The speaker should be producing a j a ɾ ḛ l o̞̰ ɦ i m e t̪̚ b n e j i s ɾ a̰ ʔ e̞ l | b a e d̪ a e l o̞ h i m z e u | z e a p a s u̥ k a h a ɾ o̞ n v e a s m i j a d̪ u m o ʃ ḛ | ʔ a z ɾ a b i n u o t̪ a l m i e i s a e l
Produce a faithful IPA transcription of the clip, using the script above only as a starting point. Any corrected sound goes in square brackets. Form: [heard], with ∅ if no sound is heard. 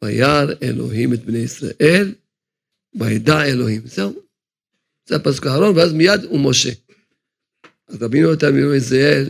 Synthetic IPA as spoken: a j a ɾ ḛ l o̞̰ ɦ i m e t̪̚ b n e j i s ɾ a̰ ʔ e̞ l | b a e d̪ a e l o̞ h i m z e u | z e a p a s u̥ k a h a ɾ o̞ n v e a [z] m i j a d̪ u m o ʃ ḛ | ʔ a z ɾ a b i n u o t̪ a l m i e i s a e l